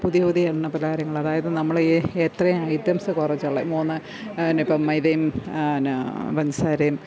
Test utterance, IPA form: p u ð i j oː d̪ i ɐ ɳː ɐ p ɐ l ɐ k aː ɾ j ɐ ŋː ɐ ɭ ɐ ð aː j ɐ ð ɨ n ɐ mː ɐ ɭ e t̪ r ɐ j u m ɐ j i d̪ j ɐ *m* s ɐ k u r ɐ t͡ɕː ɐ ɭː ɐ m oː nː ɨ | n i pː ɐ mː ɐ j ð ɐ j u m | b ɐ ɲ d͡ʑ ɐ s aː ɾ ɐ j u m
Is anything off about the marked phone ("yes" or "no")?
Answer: no